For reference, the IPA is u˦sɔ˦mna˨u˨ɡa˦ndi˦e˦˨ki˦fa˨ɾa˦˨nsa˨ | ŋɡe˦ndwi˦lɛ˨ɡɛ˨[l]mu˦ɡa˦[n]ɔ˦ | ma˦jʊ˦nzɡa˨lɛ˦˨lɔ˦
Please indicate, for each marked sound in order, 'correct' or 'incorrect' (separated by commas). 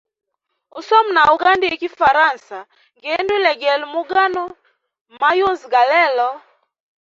correct, correct